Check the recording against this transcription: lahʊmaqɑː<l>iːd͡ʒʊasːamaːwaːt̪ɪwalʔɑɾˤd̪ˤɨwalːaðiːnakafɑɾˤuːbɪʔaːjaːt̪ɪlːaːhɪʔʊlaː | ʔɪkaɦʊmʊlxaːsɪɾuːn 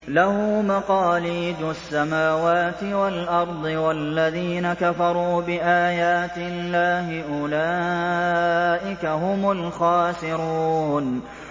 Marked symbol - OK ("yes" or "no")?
yes